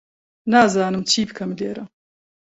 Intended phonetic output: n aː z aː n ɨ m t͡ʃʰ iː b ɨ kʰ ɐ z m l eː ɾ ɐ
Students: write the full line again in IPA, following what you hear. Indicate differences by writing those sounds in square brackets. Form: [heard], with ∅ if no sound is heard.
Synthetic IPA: n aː z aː n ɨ m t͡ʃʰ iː b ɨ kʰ ɐ [∅] m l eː ɾ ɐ